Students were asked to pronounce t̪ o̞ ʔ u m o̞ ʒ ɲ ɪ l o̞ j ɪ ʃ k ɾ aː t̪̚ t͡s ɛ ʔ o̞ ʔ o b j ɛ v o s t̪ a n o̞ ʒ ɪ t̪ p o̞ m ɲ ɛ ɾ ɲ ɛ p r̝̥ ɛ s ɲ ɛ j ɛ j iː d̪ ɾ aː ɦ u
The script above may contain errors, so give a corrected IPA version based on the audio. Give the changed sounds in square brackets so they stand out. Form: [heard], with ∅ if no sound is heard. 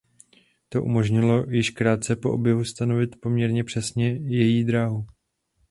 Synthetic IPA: t̪ o̞ ʔ u m o̞ ʒ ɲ ɪ l o̞ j ɪ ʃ k ɾ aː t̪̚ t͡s ɛ [p] o̞ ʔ o b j ɛ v [u] s t̪ a n o̞ [v] ɪ t̪ p o̞ m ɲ ɛ ɾ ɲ ɛ p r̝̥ ɛ s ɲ ɛ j ɛ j iː d̪ ɾ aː ɦ u